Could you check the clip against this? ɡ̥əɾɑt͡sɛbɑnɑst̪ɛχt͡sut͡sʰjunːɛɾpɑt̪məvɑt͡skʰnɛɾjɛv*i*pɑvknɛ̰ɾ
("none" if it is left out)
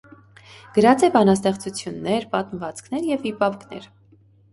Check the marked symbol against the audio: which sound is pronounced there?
i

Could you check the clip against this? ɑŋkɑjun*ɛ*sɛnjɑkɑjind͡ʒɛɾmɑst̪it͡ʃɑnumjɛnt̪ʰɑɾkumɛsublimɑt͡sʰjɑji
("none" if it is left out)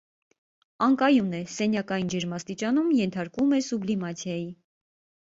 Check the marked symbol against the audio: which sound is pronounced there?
ɛ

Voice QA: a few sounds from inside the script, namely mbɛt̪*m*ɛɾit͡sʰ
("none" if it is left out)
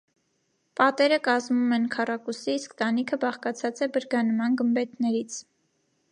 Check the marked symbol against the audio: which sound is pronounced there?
n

